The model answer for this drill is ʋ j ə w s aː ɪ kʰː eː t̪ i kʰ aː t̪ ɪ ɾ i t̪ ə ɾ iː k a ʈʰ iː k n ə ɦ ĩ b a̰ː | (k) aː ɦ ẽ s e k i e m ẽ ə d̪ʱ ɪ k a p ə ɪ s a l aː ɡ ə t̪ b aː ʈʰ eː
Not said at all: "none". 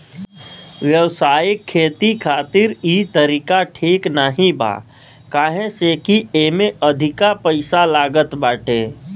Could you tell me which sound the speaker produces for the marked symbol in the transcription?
k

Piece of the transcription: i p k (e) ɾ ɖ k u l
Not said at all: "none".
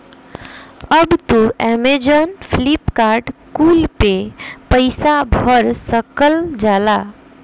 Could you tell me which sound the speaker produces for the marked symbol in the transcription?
a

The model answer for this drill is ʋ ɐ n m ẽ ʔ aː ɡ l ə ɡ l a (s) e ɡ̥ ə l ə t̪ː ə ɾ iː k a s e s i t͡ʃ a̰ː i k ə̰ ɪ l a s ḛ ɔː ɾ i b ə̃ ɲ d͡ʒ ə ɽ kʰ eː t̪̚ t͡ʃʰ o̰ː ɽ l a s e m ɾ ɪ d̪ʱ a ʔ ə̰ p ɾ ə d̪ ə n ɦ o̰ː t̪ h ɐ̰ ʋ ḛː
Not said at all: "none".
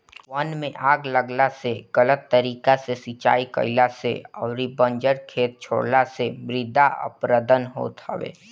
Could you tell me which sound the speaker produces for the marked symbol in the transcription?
s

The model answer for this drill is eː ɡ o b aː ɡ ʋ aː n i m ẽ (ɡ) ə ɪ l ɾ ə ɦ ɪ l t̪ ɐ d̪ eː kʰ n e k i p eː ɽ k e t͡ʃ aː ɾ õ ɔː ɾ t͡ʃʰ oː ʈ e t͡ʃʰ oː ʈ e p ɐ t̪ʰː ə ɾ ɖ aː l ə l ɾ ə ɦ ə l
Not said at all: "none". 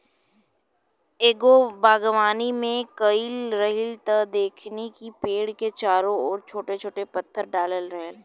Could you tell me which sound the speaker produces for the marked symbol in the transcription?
k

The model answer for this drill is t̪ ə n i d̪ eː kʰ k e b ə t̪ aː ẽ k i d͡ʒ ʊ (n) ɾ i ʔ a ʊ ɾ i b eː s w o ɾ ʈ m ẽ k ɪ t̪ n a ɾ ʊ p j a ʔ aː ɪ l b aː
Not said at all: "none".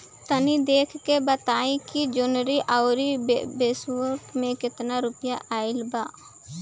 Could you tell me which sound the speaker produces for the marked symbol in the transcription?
n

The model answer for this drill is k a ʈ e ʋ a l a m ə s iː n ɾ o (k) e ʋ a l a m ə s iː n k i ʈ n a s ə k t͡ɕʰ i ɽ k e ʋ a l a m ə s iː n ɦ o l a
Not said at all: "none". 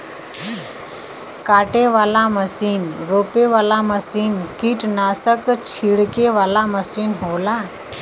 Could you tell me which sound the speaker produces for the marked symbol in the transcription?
p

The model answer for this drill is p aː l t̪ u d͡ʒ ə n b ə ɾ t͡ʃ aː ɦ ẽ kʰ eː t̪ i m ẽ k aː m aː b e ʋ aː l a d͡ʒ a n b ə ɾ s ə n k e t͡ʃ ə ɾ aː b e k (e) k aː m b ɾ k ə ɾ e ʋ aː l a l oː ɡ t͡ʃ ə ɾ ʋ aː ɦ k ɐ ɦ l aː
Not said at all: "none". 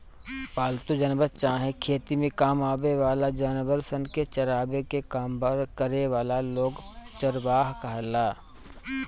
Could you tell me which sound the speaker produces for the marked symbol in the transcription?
e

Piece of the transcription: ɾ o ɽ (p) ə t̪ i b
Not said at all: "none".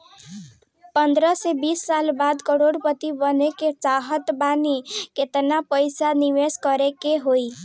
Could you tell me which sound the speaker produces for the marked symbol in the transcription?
p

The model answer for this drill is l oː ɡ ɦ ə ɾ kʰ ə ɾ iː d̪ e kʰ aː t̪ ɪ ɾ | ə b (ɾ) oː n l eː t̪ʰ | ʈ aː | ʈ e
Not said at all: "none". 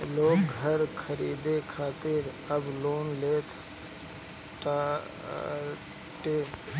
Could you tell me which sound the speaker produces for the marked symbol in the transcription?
l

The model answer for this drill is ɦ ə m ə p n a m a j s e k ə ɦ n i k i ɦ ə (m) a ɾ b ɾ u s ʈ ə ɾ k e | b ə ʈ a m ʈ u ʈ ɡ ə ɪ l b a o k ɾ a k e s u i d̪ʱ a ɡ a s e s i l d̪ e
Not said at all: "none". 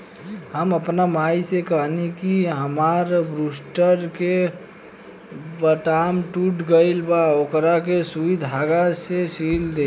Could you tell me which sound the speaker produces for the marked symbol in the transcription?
m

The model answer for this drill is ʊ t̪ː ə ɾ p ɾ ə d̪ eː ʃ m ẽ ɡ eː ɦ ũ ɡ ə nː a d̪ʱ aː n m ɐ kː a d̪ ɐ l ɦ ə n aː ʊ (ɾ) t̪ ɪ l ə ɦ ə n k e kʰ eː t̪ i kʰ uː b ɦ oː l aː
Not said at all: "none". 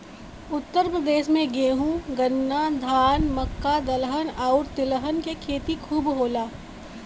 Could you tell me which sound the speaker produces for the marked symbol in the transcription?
ɾ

